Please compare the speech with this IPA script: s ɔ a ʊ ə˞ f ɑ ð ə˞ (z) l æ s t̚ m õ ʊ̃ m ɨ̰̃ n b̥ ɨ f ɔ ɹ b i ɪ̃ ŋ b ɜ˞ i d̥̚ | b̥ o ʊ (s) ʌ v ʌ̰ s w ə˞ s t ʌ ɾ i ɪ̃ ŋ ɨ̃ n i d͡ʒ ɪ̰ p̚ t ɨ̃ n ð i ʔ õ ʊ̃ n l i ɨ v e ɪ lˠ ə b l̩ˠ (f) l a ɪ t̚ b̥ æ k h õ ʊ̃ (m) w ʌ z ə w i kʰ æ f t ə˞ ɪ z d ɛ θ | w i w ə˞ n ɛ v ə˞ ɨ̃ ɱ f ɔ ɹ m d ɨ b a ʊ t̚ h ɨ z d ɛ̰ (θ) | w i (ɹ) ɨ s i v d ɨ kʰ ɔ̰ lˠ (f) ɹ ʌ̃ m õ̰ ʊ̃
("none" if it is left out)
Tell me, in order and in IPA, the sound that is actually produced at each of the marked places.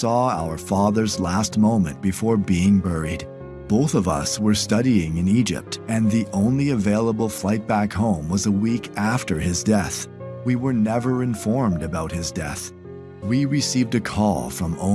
z, θ, f, m, θ, ɹ, f

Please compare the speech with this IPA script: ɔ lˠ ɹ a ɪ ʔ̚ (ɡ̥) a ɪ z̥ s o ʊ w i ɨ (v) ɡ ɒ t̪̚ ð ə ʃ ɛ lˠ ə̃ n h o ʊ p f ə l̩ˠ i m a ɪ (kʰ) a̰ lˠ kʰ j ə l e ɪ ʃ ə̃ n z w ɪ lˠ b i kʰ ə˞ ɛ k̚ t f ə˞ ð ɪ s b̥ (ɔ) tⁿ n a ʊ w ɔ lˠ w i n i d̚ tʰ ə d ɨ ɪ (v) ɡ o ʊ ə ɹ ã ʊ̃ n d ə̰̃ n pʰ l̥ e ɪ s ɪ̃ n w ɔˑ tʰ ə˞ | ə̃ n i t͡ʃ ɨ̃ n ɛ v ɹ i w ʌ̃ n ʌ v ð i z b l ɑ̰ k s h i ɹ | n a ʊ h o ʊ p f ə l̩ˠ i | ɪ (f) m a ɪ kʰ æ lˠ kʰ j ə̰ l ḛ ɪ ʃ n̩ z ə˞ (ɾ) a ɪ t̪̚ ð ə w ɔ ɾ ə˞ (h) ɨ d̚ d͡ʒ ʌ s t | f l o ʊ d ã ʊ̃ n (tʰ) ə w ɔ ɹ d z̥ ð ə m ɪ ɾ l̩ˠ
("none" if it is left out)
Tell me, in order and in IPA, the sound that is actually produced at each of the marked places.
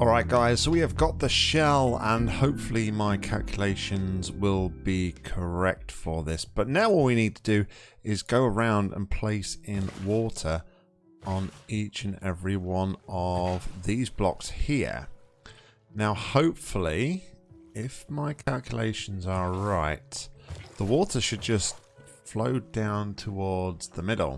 ɡ̥, v, kʰ, ʌ, z, f, ɹ, ʃ, tʰ

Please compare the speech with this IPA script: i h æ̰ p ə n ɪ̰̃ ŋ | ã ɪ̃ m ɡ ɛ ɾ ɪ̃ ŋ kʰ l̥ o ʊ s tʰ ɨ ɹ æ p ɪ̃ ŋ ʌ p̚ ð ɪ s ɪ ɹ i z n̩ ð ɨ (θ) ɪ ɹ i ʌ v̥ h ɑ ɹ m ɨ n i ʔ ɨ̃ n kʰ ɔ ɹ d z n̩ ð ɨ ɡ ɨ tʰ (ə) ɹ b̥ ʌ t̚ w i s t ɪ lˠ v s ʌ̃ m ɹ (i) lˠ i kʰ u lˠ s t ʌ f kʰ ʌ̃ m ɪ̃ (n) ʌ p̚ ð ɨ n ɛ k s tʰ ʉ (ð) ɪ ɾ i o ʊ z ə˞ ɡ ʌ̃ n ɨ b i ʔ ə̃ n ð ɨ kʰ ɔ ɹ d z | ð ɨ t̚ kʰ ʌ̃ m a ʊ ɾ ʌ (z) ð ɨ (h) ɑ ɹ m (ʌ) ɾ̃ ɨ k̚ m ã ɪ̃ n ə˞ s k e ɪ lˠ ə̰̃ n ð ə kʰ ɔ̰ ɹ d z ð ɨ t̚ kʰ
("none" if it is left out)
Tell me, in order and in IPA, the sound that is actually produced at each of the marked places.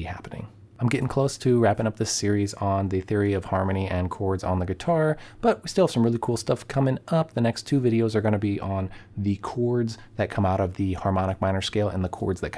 θ, ɑ, ɪ, ŋ, v, v, h, ɑ

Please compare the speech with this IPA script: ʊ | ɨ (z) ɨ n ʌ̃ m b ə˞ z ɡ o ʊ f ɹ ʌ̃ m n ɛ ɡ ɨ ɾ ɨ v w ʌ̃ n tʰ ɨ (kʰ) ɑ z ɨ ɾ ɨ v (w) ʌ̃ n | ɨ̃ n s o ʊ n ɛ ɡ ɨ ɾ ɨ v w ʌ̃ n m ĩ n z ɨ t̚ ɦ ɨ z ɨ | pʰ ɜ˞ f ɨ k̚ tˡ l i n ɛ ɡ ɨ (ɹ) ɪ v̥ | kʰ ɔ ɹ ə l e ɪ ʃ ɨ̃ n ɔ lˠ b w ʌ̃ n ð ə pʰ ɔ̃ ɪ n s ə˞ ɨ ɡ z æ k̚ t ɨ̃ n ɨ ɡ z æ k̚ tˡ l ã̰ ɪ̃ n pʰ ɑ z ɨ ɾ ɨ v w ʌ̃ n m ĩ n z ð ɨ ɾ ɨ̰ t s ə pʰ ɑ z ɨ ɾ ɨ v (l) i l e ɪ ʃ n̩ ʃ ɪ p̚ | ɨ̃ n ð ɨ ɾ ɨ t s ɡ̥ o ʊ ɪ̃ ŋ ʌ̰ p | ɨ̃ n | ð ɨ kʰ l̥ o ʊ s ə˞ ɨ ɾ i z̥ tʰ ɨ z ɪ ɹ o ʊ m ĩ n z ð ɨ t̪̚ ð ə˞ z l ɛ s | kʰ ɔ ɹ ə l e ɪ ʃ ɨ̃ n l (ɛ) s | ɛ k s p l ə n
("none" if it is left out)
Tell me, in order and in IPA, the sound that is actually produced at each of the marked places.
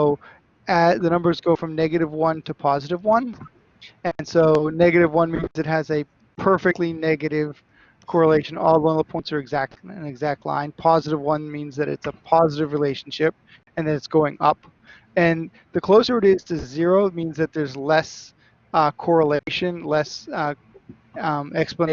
ð, pʰ, w, ɾ, ɹ, ɛ

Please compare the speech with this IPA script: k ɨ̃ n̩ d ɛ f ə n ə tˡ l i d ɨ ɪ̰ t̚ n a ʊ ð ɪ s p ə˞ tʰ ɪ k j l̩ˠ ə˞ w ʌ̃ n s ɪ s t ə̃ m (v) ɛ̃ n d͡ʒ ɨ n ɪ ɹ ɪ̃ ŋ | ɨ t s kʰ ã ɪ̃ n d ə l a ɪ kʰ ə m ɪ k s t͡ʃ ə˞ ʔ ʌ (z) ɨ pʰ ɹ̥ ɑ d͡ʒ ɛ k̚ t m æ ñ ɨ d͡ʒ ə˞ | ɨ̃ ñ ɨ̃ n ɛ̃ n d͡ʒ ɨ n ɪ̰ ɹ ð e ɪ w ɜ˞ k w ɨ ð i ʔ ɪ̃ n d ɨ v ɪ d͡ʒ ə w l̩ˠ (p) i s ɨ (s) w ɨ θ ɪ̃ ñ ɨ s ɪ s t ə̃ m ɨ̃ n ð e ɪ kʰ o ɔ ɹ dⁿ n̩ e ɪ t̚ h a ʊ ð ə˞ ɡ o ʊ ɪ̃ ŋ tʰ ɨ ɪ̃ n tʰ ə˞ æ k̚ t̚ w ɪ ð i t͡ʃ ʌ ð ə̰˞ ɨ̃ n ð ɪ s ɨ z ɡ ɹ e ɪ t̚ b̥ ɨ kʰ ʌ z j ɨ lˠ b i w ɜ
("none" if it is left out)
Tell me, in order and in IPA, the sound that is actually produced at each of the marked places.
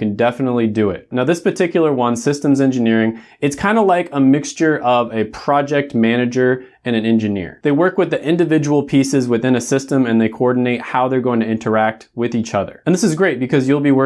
z, v, pʰ, z

